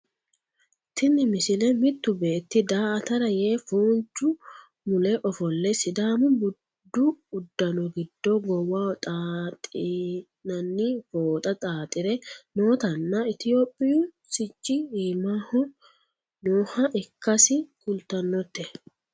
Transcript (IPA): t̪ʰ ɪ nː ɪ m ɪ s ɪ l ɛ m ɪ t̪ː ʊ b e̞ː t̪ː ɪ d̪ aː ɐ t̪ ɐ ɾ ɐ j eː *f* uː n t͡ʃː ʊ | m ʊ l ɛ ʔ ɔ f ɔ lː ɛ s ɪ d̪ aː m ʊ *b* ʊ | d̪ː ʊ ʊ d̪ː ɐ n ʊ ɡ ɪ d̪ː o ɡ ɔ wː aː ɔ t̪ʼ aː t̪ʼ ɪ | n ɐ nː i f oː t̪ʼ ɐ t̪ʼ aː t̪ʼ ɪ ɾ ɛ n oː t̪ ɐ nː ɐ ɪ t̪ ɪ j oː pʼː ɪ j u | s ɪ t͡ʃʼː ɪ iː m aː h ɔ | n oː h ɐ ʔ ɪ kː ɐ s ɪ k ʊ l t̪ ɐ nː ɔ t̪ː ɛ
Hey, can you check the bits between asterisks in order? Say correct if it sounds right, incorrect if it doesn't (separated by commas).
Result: correct, correct